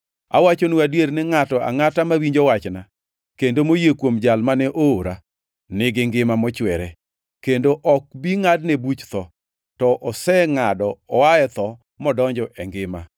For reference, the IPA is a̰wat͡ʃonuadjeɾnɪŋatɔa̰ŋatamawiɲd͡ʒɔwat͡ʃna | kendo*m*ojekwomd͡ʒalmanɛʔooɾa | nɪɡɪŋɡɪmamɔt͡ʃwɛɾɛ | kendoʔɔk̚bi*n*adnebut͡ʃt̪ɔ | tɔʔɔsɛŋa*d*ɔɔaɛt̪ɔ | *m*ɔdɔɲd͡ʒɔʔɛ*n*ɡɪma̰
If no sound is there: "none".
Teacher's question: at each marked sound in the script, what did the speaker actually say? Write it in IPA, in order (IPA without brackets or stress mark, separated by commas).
m, ŋ, d, m, ŋ